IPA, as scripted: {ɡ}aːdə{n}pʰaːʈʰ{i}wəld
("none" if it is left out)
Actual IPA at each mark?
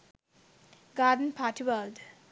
ɡ, n, i

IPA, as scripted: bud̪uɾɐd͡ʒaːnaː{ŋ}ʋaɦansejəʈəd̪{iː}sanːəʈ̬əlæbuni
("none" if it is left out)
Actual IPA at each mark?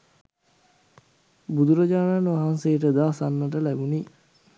n, aː

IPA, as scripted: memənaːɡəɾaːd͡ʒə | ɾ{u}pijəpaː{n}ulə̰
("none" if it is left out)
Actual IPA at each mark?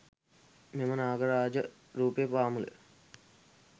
uː, m

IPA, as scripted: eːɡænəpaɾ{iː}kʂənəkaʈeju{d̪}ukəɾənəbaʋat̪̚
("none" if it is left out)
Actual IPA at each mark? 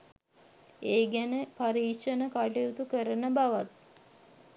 iː, t̪

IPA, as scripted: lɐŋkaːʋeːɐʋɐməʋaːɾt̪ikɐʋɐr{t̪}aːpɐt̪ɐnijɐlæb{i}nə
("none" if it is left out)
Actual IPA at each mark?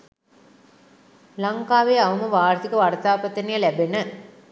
t̪, e

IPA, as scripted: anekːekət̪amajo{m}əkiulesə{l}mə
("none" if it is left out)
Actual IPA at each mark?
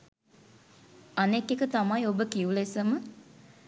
b, none

